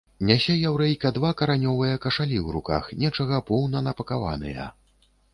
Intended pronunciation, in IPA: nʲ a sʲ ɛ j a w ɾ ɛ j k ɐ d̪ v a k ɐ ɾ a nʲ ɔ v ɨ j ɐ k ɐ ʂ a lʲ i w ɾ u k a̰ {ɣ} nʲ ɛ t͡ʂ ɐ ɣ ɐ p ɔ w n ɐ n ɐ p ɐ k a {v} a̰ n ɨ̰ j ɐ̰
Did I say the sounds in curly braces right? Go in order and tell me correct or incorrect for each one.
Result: incorrect, correct

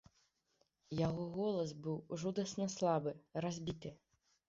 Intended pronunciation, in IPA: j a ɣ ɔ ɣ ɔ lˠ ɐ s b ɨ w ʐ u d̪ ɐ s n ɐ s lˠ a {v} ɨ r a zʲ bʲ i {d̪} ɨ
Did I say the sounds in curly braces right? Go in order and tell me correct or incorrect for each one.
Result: incorrect, incorrect

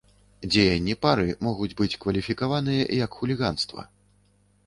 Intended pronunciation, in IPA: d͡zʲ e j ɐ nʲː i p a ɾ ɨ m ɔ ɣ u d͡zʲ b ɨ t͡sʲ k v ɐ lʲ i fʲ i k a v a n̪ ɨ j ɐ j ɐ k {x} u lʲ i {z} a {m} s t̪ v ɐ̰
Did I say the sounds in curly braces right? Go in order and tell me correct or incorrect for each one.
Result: correct, incorrect, incorrect

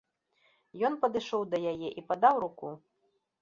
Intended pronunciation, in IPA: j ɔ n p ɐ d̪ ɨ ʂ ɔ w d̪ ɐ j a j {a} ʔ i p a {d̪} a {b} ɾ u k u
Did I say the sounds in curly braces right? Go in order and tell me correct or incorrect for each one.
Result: incorrect, correct, incorrect

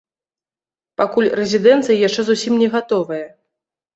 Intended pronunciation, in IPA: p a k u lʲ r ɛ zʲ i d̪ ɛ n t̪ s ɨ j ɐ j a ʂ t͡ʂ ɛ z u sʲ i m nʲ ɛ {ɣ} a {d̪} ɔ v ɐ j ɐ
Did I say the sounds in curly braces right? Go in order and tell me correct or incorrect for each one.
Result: correct, incorrect

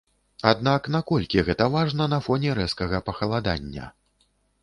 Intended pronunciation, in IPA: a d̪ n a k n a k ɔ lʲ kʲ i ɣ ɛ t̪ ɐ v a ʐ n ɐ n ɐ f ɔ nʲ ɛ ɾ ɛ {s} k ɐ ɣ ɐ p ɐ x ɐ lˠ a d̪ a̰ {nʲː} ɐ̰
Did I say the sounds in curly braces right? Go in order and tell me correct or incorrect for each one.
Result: correct, correct

